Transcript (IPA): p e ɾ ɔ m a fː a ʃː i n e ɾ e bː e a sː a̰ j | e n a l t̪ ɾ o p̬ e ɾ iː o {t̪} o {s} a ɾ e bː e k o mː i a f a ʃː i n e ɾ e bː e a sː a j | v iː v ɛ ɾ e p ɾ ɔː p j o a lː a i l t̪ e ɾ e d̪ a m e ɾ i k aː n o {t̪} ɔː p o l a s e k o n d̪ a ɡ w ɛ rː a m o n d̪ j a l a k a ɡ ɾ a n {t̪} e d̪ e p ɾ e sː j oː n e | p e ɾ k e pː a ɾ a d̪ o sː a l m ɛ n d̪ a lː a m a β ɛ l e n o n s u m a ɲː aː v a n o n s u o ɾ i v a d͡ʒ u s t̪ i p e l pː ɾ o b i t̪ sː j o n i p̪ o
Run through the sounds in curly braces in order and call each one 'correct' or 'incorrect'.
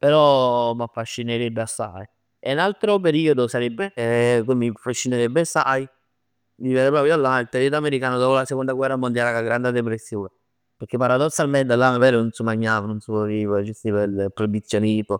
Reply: incorrect: d̪, correct, incorrect: d̪, incorrect: d̪

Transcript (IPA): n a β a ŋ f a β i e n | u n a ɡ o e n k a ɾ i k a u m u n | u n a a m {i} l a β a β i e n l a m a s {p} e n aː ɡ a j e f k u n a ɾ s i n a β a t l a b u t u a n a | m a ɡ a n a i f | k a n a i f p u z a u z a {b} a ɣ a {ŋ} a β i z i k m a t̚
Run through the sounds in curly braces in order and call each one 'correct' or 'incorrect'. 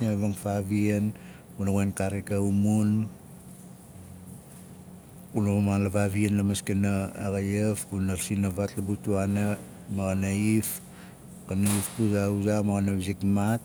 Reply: incorrect: a, incorrect: k, incorrect: m, incorrect: n

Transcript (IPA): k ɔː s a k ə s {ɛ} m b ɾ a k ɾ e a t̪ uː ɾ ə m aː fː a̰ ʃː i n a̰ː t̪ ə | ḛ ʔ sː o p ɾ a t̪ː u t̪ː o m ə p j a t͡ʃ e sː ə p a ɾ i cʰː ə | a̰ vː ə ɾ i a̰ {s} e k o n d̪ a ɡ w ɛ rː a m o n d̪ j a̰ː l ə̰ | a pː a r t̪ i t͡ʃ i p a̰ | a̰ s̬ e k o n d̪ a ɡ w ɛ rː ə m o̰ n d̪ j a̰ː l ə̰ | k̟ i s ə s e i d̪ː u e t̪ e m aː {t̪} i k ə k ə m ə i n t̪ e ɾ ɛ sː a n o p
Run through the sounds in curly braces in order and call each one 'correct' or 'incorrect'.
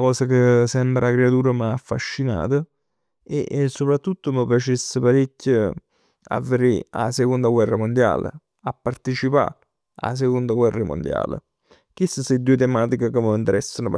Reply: correct, correct, correct

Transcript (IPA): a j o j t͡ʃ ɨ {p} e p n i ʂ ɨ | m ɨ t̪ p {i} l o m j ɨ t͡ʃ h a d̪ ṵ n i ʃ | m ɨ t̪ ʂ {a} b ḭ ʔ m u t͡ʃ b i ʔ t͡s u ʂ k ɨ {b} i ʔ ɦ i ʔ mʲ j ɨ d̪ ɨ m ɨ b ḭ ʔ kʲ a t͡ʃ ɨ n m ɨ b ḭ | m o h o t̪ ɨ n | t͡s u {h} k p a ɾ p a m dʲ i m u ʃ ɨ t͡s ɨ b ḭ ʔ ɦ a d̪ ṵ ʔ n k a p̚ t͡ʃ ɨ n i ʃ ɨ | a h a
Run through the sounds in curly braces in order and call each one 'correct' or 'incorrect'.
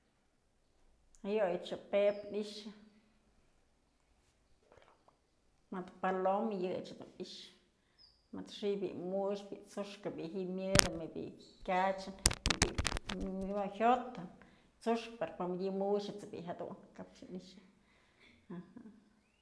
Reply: correct, incorrect: a, incorrect: i, correct, incorrect: ʂ

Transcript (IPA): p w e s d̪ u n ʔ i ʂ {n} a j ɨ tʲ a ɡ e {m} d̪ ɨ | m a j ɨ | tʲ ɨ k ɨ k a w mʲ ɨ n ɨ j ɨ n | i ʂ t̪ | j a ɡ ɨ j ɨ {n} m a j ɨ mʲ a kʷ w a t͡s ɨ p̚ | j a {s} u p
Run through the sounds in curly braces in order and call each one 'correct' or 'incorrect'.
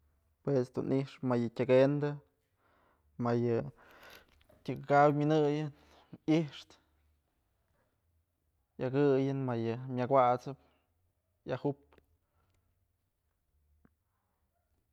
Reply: incorrect: m, incorrect: n, correct, incorrect: h

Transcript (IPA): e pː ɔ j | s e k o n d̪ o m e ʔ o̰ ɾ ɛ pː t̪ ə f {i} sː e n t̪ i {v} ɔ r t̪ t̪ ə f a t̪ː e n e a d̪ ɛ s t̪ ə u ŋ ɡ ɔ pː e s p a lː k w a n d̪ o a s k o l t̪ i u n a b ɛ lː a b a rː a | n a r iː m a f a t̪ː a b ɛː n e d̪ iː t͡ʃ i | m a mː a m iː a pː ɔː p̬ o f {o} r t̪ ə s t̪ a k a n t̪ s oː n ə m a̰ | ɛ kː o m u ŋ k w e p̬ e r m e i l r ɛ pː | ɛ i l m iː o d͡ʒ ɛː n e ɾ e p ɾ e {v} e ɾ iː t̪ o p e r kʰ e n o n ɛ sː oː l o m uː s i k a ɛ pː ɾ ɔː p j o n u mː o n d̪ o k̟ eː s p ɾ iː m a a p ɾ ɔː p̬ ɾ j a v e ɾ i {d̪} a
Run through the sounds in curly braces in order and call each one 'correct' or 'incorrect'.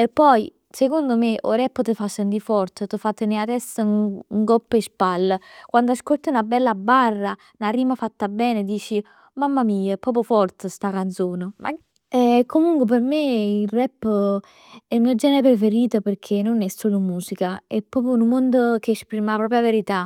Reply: incorrect: a, incorrect: f, incorrect: ɔ, incorrect: f, incorrect: t̪

